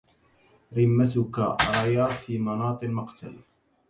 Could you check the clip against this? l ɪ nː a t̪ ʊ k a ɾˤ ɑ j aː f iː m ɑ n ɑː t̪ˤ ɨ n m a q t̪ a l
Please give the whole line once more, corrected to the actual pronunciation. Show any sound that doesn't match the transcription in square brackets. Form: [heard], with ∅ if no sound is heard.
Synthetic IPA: [ɾ] ɪ [mː] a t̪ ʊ k a ɾˤ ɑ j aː f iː m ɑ n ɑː t̪ˤ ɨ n m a q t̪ a l